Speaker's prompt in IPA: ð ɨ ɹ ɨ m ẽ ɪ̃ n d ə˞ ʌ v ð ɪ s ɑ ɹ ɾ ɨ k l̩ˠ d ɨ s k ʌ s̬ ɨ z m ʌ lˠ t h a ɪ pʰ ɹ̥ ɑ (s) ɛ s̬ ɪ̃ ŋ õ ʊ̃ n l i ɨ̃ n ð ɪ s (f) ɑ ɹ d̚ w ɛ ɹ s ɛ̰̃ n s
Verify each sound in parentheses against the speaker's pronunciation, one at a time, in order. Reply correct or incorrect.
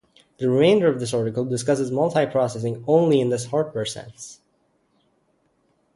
correct, incorrect: h

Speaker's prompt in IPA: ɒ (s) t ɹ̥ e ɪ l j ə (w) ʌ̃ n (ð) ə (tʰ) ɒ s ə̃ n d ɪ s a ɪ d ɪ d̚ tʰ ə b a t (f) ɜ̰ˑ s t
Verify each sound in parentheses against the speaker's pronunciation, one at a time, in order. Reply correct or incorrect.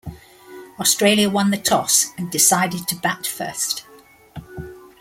correct, correct, correct, correct, correct

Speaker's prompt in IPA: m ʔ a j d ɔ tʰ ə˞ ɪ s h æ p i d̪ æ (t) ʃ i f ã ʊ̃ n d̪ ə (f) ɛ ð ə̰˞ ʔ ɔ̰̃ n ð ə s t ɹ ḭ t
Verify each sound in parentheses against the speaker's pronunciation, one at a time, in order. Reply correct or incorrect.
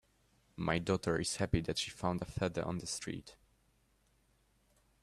correct, correct

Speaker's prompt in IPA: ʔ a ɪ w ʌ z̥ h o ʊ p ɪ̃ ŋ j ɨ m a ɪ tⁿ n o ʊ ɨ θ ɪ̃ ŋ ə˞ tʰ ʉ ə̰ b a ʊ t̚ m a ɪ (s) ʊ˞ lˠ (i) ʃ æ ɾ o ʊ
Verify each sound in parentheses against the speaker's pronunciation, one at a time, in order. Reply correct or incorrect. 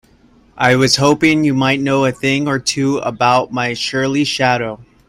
incorrect: ʃ, correct

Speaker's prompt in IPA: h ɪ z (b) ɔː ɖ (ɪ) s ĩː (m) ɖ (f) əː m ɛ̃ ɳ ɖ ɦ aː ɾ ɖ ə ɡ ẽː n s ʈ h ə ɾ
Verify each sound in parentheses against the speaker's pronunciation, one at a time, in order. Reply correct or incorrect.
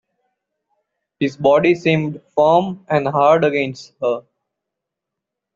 correct, incorrect: i, correct, correct

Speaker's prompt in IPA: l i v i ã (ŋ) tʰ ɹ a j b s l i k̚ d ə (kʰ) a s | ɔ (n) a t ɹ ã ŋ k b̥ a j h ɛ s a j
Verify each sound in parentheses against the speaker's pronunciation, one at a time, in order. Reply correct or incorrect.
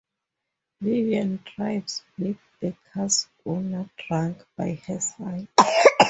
incorrect: n, correct, correct

